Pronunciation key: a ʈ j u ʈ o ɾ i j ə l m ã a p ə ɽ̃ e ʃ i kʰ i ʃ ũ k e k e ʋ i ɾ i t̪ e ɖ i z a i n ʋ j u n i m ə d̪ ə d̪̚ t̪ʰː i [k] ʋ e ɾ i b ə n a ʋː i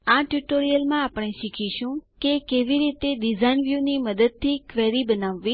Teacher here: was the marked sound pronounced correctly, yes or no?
yes